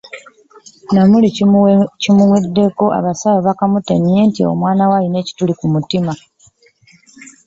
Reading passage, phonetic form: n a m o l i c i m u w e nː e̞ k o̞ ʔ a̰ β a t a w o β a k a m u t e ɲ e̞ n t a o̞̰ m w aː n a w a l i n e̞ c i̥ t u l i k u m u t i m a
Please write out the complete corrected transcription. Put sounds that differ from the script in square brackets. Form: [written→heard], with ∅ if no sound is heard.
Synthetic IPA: n a m [o→u] l i c i m u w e [nː→dː] e̞ k o̞ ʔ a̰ β a [t→s] a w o β a k a m u t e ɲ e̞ n t [a→i] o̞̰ m w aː n a w a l i n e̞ c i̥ t u l i k u m u t i m a